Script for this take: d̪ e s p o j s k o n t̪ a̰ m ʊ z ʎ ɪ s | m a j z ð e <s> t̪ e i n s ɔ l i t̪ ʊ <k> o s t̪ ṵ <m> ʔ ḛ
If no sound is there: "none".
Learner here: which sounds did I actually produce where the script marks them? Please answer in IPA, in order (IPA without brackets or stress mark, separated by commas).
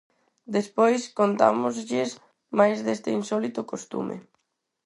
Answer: s, k, m